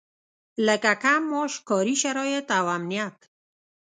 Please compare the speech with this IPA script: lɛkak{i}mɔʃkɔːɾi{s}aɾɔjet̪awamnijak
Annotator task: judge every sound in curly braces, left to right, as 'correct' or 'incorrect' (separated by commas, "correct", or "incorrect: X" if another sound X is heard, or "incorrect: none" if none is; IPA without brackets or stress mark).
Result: incorrect: a, incorrect: ʃ